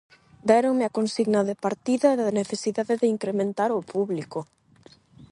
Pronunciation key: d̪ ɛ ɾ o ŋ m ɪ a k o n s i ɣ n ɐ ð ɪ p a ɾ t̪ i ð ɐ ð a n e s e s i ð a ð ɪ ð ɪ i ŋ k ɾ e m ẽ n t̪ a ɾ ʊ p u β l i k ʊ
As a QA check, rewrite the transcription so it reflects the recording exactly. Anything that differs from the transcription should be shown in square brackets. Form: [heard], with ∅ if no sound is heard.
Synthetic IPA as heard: d̪ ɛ ɾ o ŋ m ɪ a k o n s i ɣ n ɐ ð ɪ p a ɾ t̪ i ð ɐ ð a n e [θ] e s i ð a ð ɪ ð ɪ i ŋ k ɾ e m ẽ n t̪ a ɾ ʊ p u β l i k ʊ